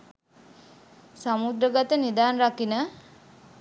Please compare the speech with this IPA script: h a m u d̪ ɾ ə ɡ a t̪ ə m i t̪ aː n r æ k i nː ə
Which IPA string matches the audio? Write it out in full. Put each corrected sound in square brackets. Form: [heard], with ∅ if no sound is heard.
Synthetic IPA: [s] a m u d̪ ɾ ə ɡ a t̪ ə [n] i [d̪] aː n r [a] k i [n] ə